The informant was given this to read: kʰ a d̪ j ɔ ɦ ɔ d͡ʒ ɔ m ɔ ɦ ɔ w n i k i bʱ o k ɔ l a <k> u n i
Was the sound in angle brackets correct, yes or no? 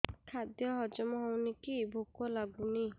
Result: no